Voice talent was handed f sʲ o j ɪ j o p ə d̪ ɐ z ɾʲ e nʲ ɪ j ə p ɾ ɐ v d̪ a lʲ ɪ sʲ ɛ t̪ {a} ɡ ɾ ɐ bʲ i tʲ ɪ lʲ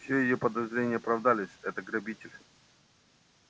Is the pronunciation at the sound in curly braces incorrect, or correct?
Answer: incorrect